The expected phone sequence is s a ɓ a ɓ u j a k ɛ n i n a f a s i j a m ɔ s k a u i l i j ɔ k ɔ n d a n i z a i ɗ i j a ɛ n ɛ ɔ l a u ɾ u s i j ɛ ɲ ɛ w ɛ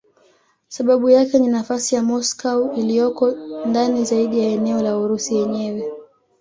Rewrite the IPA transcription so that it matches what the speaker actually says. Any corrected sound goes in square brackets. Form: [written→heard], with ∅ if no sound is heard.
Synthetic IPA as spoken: s a ɓ a ɓ u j a k ɛ n i n a f a s i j a m ɔ s k a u i l i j ɔ k ɔ n d a n i z a i ɗ i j a ɛ n ɛ ɔ l a u ɾ u s i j ɛ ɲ ɛ w ɛ